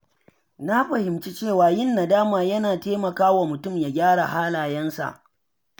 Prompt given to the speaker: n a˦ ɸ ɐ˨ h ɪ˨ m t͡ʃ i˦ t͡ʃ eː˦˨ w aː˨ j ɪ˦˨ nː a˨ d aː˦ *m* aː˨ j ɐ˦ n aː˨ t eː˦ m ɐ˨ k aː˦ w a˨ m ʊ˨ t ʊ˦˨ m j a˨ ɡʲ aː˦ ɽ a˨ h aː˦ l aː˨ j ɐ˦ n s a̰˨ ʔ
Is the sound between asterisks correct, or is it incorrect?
correct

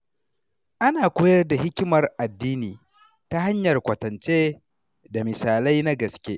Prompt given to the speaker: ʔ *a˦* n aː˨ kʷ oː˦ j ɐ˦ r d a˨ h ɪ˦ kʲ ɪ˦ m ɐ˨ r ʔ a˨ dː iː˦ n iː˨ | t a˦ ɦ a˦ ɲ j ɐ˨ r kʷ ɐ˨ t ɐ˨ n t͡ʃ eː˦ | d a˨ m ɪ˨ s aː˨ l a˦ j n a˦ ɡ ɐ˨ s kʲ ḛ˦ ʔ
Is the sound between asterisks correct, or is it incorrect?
correct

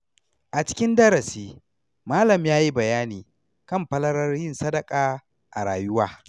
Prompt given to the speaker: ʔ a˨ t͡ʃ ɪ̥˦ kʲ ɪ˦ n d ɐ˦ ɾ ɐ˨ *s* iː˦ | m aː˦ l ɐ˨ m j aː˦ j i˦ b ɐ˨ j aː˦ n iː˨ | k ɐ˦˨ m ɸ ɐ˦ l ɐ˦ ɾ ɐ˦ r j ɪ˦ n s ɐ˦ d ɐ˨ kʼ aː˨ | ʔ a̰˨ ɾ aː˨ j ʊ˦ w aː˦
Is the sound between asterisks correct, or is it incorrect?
correct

